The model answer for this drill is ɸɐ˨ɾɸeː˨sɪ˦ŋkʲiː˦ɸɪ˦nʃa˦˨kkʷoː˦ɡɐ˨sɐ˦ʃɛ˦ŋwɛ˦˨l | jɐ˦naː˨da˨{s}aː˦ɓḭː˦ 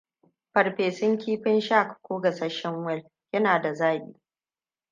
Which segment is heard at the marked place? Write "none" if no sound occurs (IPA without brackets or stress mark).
z